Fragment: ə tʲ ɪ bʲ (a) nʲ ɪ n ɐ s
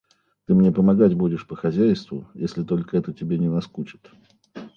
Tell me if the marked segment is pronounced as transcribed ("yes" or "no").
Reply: no